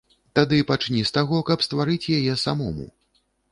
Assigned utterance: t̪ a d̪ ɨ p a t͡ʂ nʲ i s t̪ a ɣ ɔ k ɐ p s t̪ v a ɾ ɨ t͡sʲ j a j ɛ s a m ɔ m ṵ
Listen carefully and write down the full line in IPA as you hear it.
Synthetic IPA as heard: t̪ a d̪ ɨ p a t͡ʂ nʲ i s t̪ a ɣ ɔ k ɐ p s t̪ v a ɾ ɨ t͡sʲ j a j ɛ s a m ɔ m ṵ